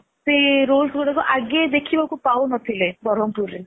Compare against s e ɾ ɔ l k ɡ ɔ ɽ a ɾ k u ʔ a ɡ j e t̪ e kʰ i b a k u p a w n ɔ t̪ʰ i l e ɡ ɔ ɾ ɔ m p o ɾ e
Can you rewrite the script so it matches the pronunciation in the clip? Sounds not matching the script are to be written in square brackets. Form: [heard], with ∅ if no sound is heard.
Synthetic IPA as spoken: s e ɾ [o] l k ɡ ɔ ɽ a [∅] k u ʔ a ɡ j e [d̪] e kʰ i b a k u p a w n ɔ t̪ʰ i l e [b] ɔ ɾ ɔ m p [u] ɾ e